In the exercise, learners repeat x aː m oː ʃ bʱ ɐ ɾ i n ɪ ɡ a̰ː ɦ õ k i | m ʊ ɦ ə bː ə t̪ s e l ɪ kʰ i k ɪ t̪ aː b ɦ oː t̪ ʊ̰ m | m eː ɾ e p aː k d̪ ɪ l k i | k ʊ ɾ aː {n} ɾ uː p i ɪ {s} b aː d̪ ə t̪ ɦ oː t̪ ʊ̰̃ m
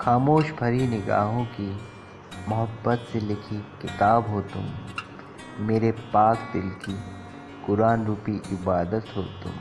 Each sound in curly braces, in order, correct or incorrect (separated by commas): correct, incorrect